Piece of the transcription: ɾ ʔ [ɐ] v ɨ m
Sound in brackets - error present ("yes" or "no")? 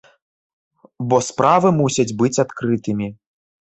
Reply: yes